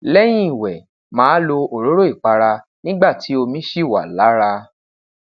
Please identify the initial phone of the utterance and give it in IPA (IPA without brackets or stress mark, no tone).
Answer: l